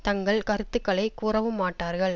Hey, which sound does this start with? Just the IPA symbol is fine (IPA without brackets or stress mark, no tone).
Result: t̪